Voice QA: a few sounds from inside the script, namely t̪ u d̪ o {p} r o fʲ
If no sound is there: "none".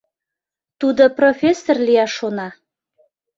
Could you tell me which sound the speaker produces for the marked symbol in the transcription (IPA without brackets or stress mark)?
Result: p